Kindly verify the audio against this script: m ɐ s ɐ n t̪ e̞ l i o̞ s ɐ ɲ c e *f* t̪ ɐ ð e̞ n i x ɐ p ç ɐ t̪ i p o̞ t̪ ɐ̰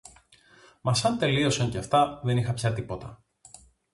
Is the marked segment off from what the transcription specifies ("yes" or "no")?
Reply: no